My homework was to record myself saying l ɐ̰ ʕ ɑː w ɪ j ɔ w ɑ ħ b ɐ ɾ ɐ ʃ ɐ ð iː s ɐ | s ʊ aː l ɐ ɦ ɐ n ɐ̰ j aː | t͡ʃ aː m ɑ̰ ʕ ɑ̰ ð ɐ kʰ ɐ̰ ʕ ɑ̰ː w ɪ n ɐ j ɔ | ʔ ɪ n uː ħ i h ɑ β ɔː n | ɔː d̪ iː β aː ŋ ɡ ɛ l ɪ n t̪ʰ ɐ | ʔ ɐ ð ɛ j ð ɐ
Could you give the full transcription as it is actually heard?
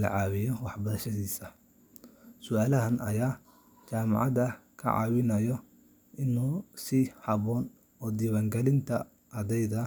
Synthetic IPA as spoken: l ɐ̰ ʕ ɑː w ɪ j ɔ w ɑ ħ b ɐ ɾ ɐ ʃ ɐ ð iː s ɐ | s ʊ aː l ɐ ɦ ɐ n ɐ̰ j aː | t͡ʃ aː m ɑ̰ ʕ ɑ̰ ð ɐ kʰ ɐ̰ ʕ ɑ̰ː w ɪ n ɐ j ɔ | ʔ ɪ n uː s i h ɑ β ɔː n | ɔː d̪ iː β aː ŋ ɡ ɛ l ɪ n t̪ʰ ɐ | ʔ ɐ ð ɛ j ð ɐ